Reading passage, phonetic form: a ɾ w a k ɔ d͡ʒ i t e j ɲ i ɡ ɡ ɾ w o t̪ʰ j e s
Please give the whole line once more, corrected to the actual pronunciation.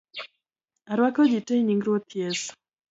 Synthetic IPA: a ɾ w a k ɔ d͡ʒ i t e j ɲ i ŋ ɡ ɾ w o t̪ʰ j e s